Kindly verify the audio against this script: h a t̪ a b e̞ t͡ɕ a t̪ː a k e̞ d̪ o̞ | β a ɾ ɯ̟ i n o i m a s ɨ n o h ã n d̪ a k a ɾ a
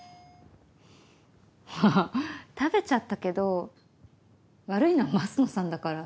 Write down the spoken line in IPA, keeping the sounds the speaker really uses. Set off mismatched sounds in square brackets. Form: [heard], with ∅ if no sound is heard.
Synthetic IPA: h a t̪ a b e̞ t͡ɕ a t̪ː a k e̞ d̪ o̞ | β a ɾ ɯ̟ i n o [a] m a s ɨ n o [s] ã n d̪ a k a ɾ a